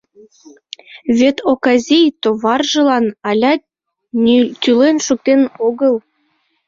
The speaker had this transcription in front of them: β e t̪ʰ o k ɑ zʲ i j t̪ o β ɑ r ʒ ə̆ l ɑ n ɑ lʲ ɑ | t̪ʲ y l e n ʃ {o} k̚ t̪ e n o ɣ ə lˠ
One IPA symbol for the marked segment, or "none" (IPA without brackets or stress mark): u